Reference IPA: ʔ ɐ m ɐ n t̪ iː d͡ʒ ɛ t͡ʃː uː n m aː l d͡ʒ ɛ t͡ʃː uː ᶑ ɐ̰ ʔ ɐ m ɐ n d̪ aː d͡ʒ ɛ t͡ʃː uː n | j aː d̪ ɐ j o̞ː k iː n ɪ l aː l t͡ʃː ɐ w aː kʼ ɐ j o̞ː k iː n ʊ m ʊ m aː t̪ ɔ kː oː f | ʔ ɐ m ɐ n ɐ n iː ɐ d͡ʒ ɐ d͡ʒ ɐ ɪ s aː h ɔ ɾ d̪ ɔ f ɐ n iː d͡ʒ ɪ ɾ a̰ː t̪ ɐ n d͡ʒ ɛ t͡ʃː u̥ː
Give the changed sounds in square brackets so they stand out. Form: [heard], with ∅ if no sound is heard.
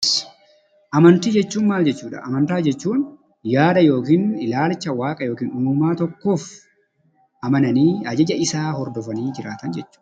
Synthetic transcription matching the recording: ʔ ɐ m ɐ n t̪ iː d͡ʒ ɛ t͡ʃː uː n m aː l d͡ʒ ɛ t͡ʃː uː ᶑ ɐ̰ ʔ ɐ m ɐ n [t̪] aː d͡ʒ ɛ t͡ʃː uː n | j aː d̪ ɐ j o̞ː k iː n ɪ l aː l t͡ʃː ɐ w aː kʼ ɐ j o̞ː k iː n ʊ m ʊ m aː t̪ ɔ kː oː f | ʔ ɐ m ɐ n ɐ n iː ɐ d͡ʒ ɐ d͡ʒ ɐ ɪ s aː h ɔ ɾ d̪ ɔ f ɐ n iː d͡ʒ ɪ ɾ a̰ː t̪ ɐ n d͡ʒ ɛ t͡ʃː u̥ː